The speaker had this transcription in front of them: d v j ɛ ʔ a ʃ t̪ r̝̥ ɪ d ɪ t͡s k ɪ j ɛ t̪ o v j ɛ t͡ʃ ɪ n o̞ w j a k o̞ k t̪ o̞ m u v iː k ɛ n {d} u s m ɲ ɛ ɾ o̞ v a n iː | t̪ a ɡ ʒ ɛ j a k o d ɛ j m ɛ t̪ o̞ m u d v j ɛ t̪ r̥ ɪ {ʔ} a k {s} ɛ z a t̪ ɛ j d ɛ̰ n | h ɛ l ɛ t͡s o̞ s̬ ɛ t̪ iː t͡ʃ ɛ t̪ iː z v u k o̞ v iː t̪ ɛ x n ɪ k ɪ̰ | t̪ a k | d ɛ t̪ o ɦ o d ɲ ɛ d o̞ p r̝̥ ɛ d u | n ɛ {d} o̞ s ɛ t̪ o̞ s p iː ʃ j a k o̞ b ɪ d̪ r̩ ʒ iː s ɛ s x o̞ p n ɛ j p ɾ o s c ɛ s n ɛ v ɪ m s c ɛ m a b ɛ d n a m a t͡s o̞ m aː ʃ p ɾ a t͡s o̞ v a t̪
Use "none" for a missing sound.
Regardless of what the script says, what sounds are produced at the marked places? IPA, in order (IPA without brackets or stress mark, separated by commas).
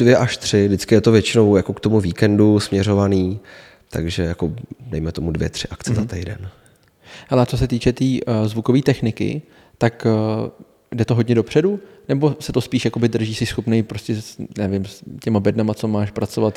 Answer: d, ʔ, t͡s, b